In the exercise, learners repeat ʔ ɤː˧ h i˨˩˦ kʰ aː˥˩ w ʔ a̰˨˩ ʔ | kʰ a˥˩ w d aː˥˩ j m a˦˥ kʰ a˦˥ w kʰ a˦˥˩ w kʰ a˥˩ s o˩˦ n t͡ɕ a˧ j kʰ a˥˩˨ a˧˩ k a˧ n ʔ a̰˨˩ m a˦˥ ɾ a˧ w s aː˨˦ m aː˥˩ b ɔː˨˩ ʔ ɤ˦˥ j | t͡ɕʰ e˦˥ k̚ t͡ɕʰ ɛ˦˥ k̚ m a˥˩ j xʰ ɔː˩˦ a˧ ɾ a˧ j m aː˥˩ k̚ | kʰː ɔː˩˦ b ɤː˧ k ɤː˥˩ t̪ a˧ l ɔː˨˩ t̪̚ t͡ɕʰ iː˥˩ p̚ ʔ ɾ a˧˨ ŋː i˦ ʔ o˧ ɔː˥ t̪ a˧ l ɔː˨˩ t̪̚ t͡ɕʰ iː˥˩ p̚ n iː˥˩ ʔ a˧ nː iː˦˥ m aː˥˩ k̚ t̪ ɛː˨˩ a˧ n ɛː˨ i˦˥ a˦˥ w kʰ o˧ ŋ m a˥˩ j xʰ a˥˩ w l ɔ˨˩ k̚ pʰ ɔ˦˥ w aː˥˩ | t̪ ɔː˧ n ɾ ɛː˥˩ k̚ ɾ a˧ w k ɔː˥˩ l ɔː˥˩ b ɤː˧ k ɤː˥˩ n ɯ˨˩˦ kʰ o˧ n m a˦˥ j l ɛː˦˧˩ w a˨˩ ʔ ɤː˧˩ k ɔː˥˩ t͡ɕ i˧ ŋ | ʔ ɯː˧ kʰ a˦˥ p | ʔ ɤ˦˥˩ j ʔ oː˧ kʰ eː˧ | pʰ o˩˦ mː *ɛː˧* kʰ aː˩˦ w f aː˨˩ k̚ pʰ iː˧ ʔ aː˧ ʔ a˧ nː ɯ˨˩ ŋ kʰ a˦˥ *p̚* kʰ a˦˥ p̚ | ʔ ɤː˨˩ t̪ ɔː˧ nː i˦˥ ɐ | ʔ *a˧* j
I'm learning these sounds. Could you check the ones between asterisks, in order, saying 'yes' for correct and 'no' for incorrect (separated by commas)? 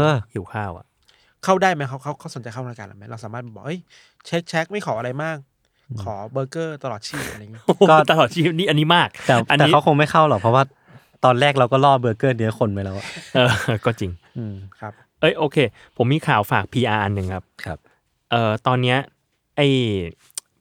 no, yes, no